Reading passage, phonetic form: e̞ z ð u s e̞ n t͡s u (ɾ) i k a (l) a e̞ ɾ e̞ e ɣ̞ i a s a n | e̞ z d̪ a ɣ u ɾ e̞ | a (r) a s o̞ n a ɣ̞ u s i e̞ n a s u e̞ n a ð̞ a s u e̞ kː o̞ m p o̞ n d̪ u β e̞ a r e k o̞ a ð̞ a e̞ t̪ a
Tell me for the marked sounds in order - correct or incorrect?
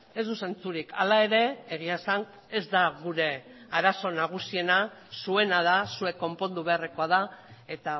correct, correct, incorrect

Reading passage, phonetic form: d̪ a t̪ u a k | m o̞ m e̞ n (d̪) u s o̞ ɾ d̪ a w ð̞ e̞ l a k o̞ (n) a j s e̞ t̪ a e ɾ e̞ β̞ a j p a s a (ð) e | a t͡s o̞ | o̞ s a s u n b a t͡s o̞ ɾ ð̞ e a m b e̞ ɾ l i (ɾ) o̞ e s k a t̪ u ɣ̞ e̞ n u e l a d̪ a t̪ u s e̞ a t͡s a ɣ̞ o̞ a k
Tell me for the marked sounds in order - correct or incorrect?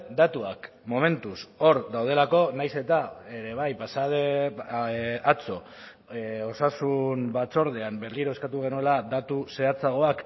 incorrect, correct, correct, correct

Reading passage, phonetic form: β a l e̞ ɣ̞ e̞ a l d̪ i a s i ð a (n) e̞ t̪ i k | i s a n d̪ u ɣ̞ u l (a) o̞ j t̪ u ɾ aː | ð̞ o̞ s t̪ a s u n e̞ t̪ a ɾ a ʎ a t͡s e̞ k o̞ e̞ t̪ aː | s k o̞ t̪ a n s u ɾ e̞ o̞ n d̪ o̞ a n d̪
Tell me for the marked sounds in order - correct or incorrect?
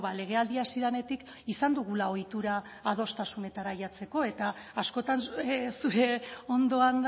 correct, correct

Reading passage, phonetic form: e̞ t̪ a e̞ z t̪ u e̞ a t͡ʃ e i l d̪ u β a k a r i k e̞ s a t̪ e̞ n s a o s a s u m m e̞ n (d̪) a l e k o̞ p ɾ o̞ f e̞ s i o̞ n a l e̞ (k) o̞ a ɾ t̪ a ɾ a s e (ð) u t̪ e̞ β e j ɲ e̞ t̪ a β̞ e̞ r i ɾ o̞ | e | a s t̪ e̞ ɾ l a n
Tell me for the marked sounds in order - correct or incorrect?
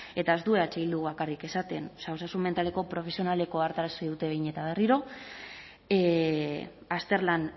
incorrect, correct, correct

